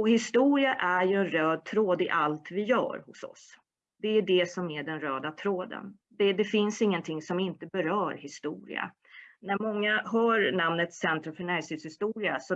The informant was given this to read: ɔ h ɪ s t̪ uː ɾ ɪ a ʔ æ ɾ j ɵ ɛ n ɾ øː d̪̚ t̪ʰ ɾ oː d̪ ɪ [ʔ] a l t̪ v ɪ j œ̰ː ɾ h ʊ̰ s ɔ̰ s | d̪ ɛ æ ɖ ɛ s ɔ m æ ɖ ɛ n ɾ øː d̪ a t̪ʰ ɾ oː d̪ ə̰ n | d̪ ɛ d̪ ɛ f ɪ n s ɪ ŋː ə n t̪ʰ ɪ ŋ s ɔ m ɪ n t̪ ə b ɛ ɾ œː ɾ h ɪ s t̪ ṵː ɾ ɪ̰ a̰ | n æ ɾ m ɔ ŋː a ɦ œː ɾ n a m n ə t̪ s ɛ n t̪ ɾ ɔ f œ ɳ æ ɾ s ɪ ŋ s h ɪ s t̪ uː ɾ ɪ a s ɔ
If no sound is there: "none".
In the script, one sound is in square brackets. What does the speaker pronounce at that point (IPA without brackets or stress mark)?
ʔ